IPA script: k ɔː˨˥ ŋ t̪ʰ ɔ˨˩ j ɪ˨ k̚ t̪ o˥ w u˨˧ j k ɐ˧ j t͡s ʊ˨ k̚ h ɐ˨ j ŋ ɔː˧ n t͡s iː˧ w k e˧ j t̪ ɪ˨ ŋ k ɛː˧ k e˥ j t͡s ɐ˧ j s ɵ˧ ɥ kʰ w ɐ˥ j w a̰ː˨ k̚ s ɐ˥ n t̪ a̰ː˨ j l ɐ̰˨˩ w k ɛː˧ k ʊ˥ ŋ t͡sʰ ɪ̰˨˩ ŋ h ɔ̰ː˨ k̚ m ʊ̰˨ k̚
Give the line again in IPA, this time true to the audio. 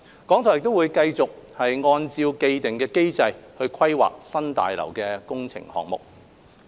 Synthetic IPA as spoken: k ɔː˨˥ ŋ t̪ʰ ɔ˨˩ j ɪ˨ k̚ t̪ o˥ w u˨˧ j k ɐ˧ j t͡s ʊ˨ k̚ h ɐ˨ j ŋ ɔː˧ n t͡s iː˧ w k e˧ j t̪ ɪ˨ ŋ k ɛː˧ k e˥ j t͡s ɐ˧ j h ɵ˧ ɥ kʰ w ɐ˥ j w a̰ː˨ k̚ s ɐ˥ n t̪ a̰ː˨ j l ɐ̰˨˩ w k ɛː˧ k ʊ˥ ŋ t͡sʰ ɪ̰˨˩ ŋ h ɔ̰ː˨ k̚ m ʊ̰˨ k̚